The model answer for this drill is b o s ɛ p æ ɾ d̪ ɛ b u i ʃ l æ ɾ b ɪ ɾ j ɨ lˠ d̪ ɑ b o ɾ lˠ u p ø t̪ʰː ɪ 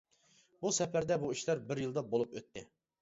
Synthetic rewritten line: b u s ɛ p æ ɾ d̪ ɛ b u i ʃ l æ ɾ b ɪ ɾ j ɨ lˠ d̪ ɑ b o lˠ u p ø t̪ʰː ɪ